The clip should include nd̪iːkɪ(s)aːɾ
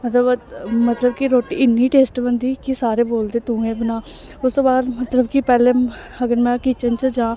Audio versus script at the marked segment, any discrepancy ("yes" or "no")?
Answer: no